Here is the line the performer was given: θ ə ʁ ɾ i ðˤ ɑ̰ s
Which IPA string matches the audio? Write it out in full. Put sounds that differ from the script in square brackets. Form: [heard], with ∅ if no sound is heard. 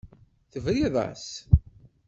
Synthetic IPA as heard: θ ə [v] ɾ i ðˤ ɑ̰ s